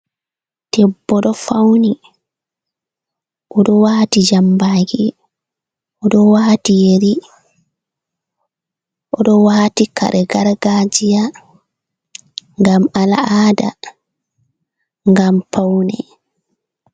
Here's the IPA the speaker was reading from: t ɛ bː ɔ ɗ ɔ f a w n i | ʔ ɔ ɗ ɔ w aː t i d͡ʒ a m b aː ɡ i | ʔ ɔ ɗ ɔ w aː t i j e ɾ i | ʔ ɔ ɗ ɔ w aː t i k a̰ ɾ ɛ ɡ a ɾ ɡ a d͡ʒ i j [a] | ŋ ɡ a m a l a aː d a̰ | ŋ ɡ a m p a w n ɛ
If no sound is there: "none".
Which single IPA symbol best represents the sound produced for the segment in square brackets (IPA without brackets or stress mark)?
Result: a